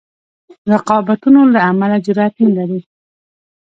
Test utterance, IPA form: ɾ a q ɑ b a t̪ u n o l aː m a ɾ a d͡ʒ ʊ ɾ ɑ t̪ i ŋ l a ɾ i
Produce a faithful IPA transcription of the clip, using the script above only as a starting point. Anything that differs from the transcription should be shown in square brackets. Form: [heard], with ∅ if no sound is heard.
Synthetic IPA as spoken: ɾ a q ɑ b a t̪ u n o l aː m a [l] a d͡ʒ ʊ ɾ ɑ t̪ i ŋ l a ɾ i